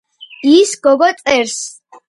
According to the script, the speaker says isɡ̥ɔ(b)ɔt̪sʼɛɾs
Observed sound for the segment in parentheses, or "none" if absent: ɡ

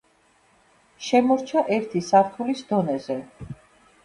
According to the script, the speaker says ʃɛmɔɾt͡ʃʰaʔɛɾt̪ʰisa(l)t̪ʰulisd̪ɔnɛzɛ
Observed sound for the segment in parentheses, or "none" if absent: ɾ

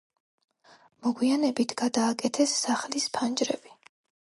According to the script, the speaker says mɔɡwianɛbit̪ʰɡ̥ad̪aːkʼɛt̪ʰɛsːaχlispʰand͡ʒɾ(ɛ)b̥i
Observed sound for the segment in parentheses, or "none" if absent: ɛ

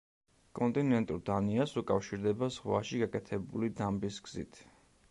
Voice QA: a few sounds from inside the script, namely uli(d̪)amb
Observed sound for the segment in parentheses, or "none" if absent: d̪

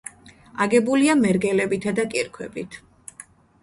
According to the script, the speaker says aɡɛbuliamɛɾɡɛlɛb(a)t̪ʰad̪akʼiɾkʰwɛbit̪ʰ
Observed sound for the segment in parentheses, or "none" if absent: i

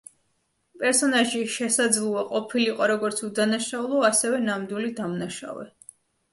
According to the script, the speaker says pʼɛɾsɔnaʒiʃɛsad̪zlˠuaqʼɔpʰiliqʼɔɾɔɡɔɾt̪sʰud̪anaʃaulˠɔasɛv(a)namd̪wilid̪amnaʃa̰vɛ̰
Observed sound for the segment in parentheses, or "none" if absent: ɛ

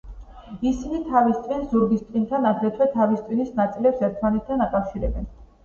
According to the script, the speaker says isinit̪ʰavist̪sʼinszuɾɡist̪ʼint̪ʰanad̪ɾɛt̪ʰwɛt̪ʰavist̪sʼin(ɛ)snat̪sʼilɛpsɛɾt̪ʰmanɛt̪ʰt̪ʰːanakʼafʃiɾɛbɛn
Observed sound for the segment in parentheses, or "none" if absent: i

